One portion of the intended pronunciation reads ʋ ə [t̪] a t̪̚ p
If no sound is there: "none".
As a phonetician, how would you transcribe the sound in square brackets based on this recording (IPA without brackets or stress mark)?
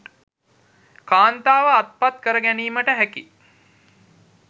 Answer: none